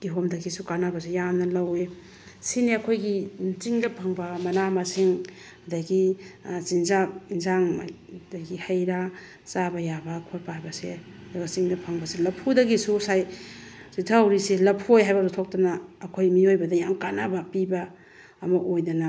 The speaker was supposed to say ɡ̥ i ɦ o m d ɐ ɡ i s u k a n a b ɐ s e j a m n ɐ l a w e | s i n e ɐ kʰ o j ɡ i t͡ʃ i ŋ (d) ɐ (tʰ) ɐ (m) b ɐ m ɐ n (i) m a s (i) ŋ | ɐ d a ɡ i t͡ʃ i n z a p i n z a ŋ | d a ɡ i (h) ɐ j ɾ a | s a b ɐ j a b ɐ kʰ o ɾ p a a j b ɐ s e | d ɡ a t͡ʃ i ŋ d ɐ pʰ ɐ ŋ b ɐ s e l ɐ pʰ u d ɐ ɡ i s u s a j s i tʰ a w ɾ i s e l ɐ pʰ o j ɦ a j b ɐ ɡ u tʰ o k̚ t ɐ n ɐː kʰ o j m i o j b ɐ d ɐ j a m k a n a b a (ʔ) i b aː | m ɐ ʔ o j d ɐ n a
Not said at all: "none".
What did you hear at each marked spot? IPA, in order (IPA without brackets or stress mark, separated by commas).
d, pʰ, ŋ, a, i, h, p